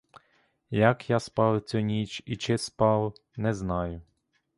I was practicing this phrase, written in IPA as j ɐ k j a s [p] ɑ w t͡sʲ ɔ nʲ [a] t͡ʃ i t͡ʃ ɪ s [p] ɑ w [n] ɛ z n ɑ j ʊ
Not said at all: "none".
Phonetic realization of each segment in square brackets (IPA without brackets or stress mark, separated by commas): p, i, p, n